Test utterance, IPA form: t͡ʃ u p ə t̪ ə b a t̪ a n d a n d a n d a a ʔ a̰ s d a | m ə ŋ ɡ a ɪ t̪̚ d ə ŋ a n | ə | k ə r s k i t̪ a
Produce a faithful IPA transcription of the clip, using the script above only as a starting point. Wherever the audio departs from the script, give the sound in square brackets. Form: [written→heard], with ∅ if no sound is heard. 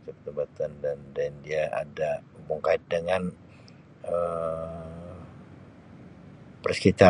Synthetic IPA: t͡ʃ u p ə t̪ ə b a t̪ a n d a n d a n d [a→i] a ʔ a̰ [s→∅] d a | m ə ŋ [ɡ→k] a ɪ t̪̚ d ə ŋ a n | ə | [k→p] ə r s k i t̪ a